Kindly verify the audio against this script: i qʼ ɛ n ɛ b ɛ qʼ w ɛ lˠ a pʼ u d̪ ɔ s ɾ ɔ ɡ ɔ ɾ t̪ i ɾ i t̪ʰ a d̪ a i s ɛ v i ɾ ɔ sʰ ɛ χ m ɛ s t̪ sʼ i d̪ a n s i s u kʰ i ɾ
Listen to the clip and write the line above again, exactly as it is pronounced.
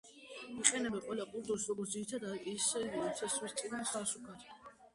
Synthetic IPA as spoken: i qʼ ɛ n ɛ b ɛ qʼ w ɛ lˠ a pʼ u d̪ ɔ s ɾ ɔ ɡ ɔ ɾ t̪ i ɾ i t̪ʰ a d̪ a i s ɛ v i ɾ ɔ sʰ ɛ s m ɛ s t̪ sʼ i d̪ a n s a s u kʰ a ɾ

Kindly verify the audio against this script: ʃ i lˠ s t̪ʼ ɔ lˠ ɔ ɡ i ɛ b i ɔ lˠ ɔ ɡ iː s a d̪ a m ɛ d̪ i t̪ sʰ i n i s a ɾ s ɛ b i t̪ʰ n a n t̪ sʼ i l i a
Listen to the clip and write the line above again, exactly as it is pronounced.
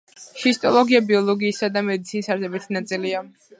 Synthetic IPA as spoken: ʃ i s t̪ʼ ɔ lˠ ɔ ɡ i a b i ɔ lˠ ɔ ɡ iː s a d̪ a m ɛ d̪ i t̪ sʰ i n i s a ɾ s ɛ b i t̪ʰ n a t̪ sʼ i l i a

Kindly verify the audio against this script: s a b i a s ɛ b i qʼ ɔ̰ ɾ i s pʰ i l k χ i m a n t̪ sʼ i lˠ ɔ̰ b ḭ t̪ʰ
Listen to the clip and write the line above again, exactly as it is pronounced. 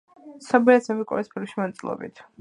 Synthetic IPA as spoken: s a b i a s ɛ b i kʼ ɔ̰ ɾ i s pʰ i l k ʃ i m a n t̪ sʼ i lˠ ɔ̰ b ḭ t̪ʰ

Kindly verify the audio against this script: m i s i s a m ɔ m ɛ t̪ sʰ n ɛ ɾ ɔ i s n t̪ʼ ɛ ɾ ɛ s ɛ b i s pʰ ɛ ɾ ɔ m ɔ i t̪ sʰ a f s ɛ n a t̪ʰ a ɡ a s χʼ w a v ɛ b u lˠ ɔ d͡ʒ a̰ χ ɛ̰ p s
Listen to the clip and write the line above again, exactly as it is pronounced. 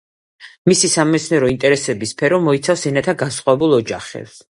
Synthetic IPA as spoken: m i s i s a m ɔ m ɛ t̪ sʰ n ɛ ɾ ɔ i n t̪ʼ ɛ ɾ ɛ s ɛ b i s pʰ ɛ ɾ ɔ m ɔ i t̪ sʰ a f s ɛ n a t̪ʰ a ɡ a s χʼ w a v ɛ b u lˠ ɔ d͡ʒ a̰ χ ɛ̰ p s

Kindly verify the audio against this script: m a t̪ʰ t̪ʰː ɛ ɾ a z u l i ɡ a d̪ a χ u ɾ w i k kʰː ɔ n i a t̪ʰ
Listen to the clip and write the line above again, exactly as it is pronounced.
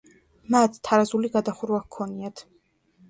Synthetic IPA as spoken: m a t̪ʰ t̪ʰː a ɾ a z u l i ɡ a d̪ a χ u ɾ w a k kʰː ɔ n i a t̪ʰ

